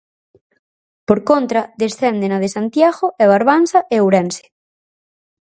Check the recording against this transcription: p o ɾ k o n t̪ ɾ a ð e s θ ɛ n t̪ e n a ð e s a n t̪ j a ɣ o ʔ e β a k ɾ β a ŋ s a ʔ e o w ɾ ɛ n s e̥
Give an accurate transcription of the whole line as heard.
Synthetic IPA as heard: p o ɾ k o n t̪ ɾ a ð e s θ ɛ n d̪ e n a ð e s a n t̪ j a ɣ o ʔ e β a ɾ β a n s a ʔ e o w ɾ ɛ n s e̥